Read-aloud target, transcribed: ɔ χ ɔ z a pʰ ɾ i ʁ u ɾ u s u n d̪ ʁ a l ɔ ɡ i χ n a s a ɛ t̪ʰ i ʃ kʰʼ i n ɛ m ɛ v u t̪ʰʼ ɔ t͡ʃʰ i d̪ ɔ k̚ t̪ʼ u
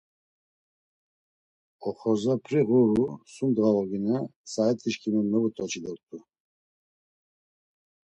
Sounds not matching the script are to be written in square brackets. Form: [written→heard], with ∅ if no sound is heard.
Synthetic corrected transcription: ɔ χ ɔ z a pʰ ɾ i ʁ u ɾ u s u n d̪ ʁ a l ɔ ɡ i [χ→∅] n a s a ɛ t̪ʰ i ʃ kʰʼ i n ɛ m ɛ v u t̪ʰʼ ɔ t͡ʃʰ i d̪ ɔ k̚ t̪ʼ u